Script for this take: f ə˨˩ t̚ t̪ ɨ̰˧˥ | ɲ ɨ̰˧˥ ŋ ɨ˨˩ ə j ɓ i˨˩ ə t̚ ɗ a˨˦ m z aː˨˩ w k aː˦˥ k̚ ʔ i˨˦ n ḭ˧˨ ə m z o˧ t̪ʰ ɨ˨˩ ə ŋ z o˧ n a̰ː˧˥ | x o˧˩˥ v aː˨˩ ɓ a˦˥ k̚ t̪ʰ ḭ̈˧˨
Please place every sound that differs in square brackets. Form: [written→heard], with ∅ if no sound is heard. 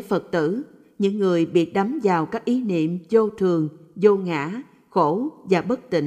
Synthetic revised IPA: f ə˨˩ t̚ t̪ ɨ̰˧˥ | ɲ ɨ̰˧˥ [ŋ→ŋː] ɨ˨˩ ə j ɓ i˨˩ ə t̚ ɗ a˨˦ m z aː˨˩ w k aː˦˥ k̚ ʔ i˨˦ n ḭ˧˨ ə m z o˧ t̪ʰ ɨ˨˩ ə ŋ z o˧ [n→ŋ] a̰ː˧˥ | x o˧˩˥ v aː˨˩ ɓ [a˦˥→ə˦˥] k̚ [t̪ʰ→t̪] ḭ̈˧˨